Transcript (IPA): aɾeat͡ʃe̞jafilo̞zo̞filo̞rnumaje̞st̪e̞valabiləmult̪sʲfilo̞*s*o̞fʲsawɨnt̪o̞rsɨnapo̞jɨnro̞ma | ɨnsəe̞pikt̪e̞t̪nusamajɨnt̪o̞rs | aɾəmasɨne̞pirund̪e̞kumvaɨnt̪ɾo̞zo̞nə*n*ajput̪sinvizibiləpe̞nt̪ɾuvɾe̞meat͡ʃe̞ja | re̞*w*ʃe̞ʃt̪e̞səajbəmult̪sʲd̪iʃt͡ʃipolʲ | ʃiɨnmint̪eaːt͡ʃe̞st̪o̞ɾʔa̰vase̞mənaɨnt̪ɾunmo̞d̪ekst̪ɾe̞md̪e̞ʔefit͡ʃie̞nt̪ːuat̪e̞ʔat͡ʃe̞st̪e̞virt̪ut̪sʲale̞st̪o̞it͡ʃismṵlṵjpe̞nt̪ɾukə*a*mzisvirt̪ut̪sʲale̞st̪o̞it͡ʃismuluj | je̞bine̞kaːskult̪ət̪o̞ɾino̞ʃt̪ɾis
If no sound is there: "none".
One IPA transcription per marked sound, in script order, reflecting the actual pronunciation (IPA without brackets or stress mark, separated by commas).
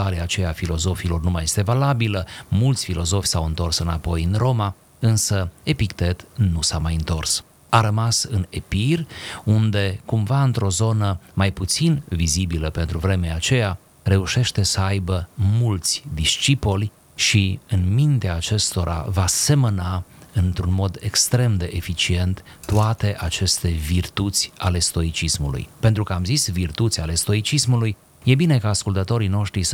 z, m, u, a